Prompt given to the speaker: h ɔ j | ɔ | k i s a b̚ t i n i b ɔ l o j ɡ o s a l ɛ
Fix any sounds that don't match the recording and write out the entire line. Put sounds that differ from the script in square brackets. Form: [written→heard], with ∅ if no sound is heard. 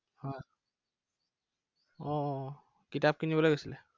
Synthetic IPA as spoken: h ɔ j | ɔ | k i [s→t] a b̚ [t→k] i n i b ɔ l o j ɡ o s [a→i] l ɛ